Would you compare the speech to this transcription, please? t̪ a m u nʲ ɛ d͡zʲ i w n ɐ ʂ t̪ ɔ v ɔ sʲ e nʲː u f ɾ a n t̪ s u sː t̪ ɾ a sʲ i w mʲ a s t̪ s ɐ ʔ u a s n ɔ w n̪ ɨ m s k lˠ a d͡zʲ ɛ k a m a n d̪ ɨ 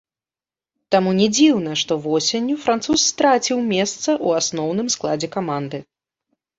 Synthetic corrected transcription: t̪ a m u nʲ ɛ d͡zʲ i w n ɐ ʂ t̪ ɔ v ɔ sʲ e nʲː u f ɾ a n t̪ s u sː t̪ ɾ a t͡sʲ i w mʲ ɛ s t̪ s ɐ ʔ u a s n ɔ w n̪ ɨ m s k lˠ a d͡zʲ ɛ k a m a n d̪ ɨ